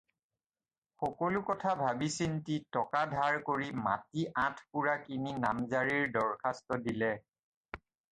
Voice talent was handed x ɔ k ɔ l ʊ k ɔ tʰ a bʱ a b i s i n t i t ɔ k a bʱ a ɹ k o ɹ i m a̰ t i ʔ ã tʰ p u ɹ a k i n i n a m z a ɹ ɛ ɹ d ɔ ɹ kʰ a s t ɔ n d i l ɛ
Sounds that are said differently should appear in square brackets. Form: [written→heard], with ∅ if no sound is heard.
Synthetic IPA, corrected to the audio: x ɔ k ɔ l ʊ k ɔ tʰ a bʱ a b i s i n t i t ɔ k a [bʱ→dʱ] a ɹ k o ɹ i m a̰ t i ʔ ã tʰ p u ɹ a k i n i n a m z a ɹ [ɛ→i] ɹ d ɔ ɹ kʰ a s t ɔ [n→∅] d i l ɛ